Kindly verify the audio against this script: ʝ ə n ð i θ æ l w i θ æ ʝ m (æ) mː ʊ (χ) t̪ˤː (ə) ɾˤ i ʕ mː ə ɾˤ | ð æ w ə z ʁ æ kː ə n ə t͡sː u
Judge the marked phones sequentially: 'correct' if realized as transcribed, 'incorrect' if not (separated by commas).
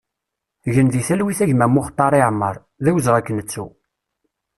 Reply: correct, correct, incorrect